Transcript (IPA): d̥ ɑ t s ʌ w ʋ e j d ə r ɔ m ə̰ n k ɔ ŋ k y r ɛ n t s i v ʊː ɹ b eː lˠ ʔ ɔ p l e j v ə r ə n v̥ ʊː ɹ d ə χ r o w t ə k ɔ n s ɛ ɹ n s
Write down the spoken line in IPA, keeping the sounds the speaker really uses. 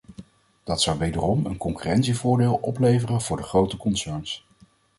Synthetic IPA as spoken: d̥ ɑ t s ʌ w ʋ e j d ə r ɔ m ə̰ n k ɔ ŋ k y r ɛ n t s i v ʊː ɹ d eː lˠ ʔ ɔ p l e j v ə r ə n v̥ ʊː ɹ d ə χ r o w t ə k ɔ n s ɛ ɹ n s